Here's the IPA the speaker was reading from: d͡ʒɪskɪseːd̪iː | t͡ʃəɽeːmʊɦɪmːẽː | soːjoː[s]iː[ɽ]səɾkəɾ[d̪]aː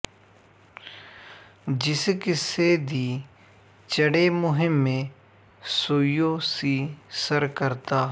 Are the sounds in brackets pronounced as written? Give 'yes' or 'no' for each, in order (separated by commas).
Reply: yes, no, no